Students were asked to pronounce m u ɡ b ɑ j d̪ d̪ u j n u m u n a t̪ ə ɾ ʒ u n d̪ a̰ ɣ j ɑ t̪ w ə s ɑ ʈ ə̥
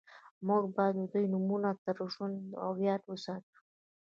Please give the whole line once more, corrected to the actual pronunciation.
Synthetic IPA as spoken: m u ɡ b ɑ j d̪ d̪ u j n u m u n a t̪ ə ɾ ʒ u n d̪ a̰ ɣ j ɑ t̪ w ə s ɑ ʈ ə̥